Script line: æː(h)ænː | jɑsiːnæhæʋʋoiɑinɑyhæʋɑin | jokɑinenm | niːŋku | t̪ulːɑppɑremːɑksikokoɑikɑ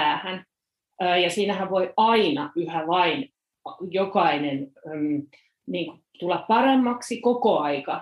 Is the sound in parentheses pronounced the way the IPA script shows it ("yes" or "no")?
yes